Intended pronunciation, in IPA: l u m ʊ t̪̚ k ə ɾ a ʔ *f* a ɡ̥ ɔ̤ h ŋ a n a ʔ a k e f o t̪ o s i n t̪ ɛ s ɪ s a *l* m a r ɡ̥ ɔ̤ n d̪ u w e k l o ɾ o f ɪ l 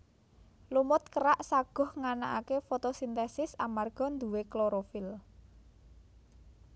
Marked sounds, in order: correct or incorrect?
incorrect, incorrect

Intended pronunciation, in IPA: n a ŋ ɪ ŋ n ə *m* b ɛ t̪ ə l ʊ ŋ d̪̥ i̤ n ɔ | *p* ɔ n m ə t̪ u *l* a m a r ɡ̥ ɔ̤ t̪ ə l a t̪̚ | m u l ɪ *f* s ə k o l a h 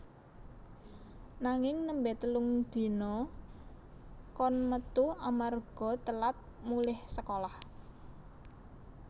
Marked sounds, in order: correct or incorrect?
correct, incorrect, incorrect, incorrect

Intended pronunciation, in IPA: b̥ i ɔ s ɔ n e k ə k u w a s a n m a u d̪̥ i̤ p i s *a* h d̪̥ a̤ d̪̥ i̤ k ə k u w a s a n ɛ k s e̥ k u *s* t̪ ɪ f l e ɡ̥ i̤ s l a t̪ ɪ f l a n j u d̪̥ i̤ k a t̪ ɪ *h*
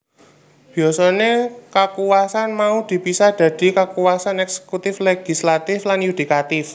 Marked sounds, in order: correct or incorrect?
correct, incorrect, incorrect

